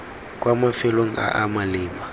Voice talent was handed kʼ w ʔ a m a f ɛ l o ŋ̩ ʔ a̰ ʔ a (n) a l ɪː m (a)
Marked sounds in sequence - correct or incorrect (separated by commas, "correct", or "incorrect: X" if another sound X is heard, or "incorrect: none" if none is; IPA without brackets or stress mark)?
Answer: incorrect: m, correct